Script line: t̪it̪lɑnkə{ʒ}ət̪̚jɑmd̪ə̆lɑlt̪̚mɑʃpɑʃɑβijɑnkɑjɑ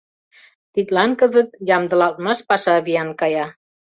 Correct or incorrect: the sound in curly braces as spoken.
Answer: incorrect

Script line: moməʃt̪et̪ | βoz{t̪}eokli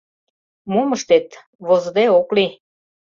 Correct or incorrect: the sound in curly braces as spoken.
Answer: incorrect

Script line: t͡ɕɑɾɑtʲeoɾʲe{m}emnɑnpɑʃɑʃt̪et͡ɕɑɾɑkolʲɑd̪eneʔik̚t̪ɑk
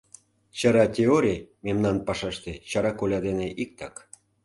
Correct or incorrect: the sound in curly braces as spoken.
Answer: correct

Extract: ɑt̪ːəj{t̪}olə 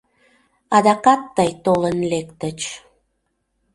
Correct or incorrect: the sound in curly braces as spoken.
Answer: correct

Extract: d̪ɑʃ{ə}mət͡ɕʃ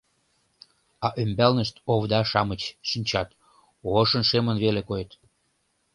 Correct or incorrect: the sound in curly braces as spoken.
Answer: incorrect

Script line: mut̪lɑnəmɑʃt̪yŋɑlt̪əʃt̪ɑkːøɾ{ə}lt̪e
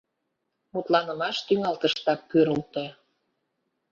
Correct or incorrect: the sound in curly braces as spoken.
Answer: correct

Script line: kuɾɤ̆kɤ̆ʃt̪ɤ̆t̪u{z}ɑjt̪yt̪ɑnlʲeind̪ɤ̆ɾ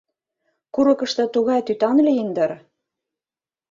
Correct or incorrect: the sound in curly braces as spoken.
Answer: incorrect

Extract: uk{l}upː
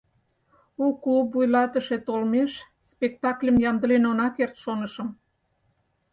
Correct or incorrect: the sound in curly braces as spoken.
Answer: correct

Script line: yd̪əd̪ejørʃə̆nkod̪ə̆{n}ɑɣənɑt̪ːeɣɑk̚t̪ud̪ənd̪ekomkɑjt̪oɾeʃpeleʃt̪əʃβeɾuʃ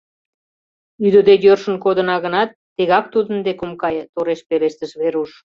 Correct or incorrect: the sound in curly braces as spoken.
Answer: correct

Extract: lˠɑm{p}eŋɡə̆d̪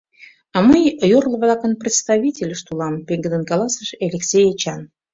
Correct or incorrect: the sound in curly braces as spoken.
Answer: correct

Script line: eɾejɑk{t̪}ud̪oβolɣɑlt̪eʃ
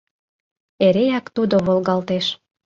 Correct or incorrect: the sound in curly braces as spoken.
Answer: correct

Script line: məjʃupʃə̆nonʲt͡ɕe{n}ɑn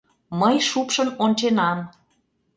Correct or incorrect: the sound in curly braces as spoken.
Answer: correct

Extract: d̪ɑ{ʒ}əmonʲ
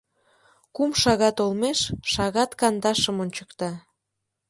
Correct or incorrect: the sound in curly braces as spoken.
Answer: incorrect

